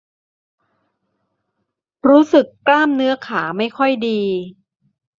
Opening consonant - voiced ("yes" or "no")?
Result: yes